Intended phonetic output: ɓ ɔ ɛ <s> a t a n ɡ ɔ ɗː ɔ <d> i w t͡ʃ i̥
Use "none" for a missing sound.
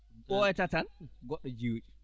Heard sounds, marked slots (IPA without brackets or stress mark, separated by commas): t, d͡ʒ